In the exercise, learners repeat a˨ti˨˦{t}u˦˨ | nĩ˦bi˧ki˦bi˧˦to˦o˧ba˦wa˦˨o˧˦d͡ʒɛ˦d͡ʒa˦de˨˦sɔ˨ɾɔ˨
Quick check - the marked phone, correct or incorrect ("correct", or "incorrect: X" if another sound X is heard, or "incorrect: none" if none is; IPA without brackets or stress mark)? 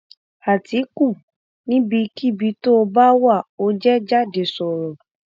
incorrect: k